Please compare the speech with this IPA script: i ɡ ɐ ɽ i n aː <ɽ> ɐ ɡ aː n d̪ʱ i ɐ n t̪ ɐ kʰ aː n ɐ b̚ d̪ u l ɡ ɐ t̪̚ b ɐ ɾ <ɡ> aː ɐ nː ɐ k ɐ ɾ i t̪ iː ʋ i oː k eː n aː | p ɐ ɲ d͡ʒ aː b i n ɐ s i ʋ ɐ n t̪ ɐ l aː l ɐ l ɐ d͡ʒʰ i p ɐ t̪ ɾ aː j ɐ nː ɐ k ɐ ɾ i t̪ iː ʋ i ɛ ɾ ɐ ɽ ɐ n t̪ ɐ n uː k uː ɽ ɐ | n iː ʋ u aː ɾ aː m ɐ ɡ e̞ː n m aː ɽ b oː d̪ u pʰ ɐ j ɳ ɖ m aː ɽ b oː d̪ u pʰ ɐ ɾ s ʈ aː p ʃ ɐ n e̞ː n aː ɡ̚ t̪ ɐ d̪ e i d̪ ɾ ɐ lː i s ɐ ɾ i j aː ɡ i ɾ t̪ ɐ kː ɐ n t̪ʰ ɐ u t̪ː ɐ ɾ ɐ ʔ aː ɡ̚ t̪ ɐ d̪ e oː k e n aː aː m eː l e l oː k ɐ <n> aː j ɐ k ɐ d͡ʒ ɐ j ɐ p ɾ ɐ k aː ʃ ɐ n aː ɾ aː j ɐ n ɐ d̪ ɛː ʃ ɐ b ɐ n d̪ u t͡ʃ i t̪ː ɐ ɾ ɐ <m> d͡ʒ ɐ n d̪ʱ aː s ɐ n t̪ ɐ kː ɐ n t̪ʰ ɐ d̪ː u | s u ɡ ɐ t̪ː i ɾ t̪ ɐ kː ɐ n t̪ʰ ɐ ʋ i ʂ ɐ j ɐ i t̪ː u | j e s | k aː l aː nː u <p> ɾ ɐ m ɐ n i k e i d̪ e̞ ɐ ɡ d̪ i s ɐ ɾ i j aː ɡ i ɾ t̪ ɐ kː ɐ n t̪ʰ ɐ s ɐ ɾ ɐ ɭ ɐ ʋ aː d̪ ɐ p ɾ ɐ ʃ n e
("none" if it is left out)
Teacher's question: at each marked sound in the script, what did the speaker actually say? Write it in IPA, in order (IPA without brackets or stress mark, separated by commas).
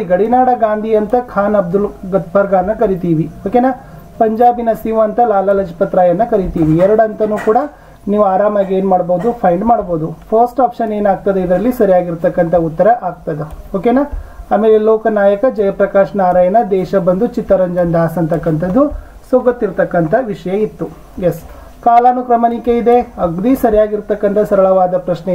ɽ, ɡ, n, ɲ, k